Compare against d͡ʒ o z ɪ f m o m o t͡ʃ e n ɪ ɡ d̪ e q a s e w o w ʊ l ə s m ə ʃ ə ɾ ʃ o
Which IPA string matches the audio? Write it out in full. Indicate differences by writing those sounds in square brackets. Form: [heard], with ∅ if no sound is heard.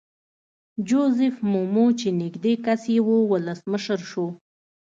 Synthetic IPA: d͡ʒ o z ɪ f m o m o t͡ʃ e n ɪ ɡ d̪ e [k] a s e w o w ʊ l ə s m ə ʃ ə ɾ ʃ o